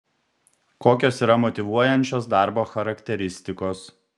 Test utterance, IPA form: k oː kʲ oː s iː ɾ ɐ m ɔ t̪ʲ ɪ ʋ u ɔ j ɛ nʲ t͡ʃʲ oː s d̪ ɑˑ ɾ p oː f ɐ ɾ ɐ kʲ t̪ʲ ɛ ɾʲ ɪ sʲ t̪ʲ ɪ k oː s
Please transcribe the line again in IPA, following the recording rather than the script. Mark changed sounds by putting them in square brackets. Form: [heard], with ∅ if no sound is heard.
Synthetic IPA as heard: k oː kʲ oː s iː ɾ ɐ m ɔ t̪ʲ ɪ ʋ u ɔ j ɛ nʲ t͡ʃʲ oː s d̪ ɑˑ ɾ [b] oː [x] ɐ ɾ ɐ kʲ t̪ʲ ɛ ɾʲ ɪ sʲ t̪ʲ ɪ k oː s